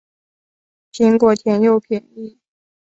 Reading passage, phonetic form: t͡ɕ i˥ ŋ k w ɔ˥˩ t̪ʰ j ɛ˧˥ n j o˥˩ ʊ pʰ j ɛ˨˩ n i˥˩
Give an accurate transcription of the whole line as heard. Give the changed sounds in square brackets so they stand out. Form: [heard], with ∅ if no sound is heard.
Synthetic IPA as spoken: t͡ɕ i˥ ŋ k w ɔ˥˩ t̪ʰ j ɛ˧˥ n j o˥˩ ʊ pʰ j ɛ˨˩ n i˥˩